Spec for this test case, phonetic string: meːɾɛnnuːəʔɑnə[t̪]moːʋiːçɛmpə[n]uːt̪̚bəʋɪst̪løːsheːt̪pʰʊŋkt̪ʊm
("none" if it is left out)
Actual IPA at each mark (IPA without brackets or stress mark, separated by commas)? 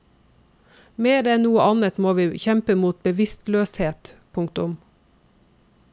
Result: t̪, m